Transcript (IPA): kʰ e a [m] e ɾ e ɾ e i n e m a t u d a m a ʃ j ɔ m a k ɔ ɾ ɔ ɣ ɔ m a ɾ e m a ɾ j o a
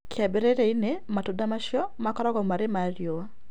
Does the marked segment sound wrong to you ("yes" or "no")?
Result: yes